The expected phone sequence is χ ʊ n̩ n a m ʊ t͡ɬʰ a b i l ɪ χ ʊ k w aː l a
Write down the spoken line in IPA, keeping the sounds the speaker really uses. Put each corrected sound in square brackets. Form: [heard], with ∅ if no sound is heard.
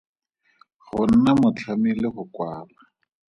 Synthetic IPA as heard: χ ʊ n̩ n a m ʊ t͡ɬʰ a [m] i l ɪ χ ʊ k w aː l a